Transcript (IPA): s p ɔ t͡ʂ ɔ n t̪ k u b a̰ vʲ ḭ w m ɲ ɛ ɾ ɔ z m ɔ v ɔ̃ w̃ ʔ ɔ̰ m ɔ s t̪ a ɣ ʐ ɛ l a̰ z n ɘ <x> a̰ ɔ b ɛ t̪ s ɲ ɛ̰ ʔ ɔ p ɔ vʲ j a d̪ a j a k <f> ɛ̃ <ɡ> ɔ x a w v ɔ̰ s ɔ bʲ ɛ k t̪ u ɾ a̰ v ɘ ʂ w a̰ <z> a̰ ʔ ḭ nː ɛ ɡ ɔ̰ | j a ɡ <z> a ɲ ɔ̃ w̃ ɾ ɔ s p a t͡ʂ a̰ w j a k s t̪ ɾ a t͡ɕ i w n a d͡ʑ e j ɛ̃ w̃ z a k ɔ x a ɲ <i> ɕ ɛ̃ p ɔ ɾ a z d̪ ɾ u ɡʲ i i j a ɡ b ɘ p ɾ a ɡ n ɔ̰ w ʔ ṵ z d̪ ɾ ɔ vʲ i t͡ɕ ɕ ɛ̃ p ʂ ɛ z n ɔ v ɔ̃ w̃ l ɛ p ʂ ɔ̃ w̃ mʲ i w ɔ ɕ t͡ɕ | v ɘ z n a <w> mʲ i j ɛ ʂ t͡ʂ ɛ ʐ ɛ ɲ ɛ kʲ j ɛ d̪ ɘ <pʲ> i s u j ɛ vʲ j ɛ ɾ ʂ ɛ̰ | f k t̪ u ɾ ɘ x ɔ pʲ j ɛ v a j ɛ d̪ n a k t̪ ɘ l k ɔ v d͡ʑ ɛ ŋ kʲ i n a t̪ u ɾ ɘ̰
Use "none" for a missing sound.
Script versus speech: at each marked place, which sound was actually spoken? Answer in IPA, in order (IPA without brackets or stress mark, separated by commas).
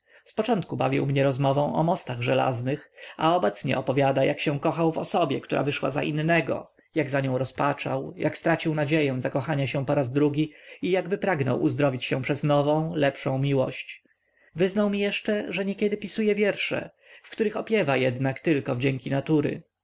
x, ɕ, k, z, z, a, w, pʲ